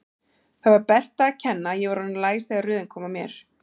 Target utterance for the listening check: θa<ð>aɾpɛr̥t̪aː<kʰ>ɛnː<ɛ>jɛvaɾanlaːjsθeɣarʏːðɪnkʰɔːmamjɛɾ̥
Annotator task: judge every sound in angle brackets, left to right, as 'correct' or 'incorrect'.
incorrect: v, incorrect: cʰ, incorrect: a

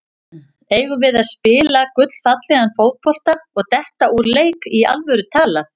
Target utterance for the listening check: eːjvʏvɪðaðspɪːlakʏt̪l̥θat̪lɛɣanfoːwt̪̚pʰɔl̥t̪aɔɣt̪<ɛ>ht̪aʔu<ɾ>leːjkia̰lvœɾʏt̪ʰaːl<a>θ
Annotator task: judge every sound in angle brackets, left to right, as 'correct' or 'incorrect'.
correct, correct, correct

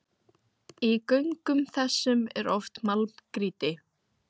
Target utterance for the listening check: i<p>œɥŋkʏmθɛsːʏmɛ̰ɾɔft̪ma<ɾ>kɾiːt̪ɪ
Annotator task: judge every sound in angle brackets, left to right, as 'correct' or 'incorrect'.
incorrect: k, incorrect: l

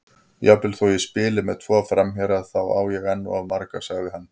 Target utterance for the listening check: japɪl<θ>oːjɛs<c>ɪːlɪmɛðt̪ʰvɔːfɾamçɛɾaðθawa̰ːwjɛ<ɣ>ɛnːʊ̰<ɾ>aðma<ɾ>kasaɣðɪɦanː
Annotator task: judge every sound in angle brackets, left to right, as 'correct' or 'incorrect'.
correct, incorrect: p, correct, incorrect: none, correct

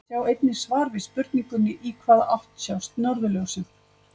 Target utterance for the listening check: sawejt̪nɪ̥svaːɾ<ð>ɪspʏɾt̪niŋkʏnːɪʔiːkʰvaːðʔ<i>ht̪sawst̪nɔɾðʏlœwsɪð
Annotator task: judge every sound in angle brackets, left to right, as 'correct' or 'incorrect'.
incorrect: v, incorrect: a

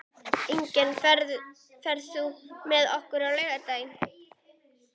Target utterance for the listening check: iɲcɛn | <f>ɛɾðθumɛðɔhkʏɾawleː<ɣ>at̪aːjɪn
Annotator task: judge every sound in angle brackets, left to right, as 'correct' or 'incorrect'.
correct, correct

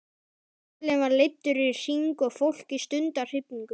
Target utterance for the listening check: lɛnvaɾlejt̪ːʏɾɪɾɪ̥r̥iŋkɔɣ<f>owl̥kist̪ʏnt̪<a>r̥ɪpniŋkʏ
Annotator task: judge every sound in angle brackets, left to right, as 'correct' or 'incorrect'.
correct, correct

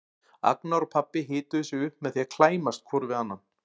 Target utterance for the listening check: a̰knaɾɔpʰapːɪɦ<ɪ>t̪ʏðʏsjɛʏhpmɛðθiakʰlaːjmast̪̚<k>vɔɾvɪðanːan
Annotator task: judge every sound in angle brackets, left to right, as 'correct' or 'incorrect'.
incorrect: ɪː, incorrect: kʰ

